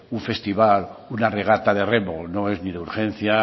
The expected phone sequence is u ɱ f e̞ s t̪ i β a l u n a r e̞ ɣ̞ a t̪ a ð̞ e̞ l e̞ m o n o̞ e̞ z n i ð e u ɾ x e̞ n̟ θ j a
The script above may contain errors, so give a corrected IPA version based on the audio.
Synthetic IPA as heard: u ɱ f e̞ s t̪ i β a l u n a r e̞ ɣ̞ a t̪ a ð̞ e̞ r e̞ m o n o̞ e̞ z n i ð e u ɾ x e̞ n̟ θ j a